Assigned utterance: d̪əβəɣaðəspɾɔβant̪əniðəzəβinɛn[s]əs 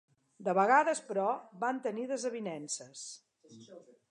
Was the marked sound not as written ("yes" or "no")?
no